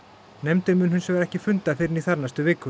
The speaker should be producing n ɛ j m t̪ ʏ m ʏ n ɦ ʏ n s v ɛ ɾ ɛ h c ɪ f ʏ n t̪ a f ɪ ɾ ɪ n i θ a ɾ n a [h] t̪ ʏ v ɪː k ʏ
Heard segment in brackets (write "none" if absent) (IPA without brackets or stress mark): s